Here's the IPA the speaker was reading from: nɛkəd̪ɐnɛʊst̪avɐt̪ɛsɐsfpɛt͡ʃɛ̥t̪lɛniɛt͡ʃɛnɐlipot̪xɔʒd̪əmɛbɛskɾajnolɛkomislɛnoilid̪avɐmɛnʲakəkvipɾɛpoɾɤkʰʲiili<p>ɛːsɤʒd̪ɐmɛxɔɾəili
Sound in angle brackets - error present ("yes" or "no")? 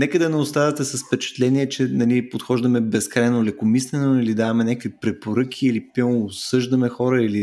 no